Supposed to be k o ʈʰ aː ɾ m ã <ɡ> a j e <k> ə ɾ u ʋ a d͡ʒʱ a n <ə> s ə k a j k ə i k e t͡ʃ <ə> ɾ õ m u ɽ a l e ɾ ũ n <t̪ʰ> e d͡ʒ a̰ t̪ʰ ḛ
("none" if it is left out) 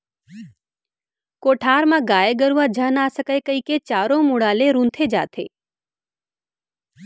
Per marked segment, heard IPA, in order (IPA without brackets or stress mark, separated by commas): ɡ, ɡ, a, a, t̪ʰ